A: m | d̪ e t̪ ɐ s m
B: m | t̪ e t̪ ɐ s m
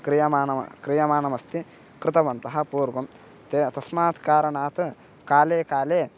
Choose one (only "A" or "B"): B